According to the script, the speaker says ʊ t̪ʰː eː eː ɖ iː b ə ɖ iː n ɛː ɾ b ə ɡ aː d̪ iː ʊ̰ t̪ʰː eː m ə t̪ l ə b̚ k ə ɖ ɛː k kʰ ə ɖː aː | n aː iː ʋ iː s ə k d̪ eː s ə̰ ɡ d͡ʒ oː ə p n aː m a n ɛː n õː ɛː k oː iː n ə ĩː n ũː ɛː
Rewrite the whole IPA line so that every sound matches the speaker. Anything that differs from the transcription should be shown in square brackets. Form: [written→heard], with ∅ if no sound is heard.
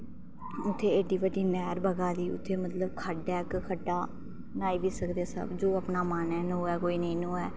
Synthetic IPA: ʊ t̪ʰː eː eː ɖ iː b ə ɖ iː n ɛː ɾ b ə ɡ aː d̪ iː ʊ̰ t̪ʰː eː m ə t̪ l ə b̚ [k→kʰ] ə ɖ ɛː k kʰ ə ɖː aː | n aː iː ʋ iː s ə k d̪ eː s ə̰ [ɡ→b] d͡ʒ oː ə p n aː m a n ɛː n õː ɛː k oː iː n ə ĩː n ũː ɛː